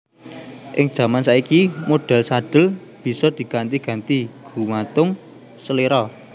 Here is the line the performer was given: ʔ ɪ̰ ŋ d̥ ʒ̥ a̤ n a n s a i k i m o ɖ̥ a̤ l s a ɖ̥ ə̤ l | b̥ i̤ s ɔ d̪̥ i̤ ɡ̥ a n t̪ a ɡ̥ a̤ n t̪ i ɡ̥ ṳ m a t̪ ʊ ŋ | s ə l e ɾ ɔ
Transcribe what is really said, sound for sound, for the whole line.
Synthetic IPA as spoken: ʔ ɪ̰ ŋ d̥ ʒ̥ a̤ m a n s a i k i m o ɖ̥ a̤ l s a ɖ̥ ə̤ l | b̥ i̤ s ɔ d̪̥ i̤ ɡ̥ a n t̪ i ɡ̥ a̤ n t̪ i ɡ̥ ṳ m a t̪ ʊ ŋ | s ə l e ɾ ɔ